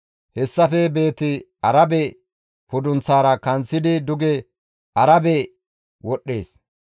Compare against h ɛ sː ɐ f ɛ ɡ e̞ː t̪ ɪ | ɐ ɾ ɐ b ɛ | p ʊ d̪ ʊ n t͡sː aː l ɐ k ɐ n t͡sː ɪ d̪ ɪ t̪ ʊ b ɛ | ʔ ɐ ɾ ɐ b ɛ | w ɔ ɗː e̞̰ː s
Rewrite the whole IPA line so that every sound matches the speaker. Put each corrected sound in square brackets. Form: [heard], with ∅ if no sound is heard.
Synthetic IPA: h ɛ sː ɐ f ɛ [b] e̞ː t̪ ɪ | ɐ ɾ ɐ b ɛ | p ʊ d̪ ʊ n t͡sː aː [ɾ] ɐ k ɐ n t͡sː ɪ d̪ ɪ [d̪] ʊ [ɡ] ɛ | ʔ ɐ ɾ ɐ b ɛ | w ɔ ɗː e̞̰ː s